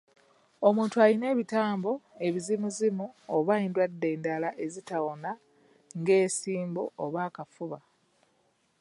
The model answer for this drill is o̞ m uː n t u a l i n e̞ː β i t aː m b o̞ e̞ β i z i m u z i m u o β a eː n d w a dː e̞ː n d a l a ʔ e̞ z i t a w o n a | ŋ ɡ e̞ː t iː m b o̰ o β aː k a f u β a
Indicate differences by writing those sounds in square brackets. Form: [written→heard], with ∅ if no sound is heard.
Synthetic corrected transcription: o̞ m uː n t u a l i n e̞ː β i t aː m b o̞ e̞ β i z i m u z i m u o β a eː n d w a dː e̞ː n d a l a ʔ e̞ z i t a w o n a | ŋ ɡ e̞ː [t→s] iː m b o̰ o β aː k a f u β a

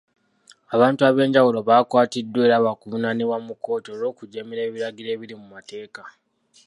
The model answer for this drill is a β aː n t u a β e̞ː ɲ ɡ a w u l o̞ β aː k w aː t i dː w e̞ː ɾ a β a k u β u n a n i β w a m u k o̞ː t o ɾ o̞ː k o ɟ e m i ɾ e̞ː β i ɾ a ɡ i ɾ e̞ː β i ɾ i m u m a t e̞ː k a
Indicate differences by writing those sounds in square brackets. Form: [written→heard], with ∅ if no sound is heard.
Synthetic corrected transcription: a β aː n t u a β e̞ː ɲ [ɡ→ɟ] a w u l o̞ β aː k w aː t i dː w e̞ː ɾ a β a k u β u n a n i β w a m u k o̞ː t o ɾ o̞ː k [o→u] ɟ e m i ɾ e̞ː β i ɾ a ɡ i ɾ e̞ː β i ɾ i m u m a t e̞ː k a

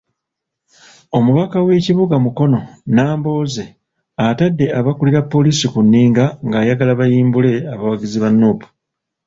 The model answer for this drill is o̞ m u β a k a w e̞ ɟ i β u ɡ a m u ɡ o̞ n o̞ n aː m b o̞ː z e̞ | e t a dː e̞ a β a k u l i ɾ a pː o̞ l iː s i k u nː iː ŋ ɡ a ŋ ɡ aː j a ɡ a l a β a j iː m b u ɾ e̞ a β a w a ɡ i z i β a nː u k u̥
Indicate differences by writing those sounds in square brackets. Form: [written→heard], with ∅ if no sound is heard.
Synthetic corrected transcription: o̞ m u β a k a w e̞ [ɟ→c] i β u ɡ a m u [ɡ→k] o̞ n o̞ n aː m b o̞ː z e̞ | [e→a] t a dː e̞ a β a k u l i ɾ a pː o̞ l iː s i k u nː iː ŋ ɡ a ŋ ɡ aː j a ɡ a l a β a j iː m b u [ɾ→l] e̞ a β a w a ɡ i z i β a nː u [k→p] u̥

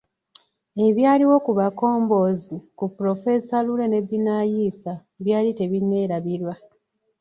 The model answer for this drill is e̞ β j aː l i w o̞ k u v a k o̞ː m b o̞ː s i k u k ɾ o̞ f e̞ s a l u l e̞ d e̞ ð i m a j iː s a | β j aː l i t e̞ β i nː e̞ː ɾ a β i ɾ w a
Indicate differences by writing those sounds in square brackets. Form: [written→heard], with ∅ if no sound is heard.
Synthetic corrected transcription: e̞ β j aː l i w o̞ k u [v→β] a k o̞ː m b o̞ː [s→z] i k u [k→p] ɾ o̞ f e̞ s a l u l e̞ [d→n] e̞ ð i [m→n] a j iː s a | β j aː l i t e̞ β i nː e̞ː ɾ a β i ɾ w a

